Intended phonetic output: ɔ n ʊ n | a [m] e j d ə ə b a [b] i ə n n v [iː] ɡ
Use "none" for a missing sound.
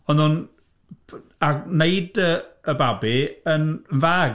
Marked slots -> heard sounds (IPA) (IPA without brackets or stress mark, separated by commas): n, b, aː